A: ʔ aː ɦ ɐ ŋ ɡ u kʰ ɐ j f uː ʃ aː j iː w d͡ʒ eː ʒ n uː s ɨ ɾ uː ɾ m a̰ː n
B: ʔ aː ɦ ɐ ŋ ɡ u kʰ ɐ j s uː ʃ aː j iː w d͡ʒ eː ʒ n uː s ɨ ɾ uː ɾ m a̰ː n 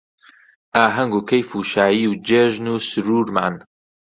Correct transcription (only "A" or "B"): A